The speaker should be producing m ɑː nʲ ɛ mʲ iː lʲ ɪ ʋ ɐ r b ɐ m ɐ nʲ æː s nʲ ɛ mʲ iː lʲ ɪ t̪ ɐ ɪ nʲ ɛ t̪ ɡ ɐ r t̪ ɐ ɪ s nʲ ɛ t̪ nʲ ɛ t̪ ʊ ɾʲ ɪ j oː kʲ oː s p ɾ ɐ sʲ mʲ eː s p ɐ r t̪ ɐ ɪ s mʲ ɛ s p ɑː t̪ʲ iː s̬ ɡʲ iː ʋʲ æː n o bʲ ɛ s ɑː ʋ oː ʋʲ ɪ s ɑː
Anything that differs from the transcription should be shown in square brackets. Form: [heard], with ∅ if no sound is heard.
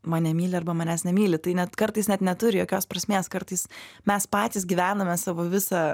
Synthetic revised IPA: m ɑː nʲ ɛ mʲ iː lʲ ɪ [∅] ɐ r b ɐ m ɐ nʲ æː s nʲ ɛ mʲ iː lʲ ɪ t̪ ɐ ɪ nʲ ɛ t̪ [k] ɐ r t̪ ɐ ɪ s nʲ ɛ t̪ nʲ ɛ t̪ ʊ ɾʲ ɪ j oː kʲ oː s p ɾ ɐ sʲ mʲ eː s [k] ɐ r t̪ ɐ ɪ s mʲ ɛ s p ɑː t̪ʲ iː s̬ ɡʲ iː ʋʲ æː n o [mʲ] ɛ s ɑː ʋ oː ʋʲ ɪ s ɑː